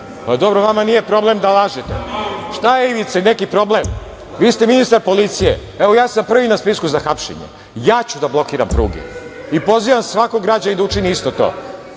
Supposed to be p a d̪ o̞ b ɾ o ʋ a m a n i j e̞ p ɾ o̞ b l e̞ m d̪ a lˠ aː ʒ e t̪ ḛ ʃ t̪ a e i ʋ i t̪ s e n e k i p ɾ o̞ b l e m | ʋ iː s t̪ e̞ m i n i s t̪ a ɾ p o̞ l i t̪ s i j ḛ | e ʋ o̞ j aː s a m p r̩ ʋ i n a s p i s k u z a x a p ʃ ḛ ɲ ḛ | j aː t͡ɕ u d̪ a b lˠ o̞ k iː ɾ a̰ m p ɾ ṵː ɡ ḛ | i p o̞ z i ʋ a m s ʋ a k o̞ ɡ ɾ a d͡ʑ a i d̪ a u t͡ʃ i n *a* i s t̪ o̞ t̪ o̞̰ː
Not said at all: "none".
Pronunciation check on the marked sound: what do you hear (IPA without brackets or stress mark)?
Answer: i